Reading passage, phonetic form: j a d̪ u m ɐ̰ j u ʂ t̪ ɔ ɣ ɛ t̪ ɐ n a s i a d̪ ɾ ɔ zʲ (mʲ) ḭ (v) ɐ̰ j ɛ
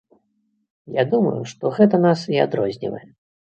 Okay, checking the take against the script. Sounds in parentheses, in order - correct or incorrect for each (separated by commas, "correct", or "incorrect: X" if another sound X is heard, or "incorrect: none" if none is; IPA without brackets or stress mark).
incorrect: nʲ, correct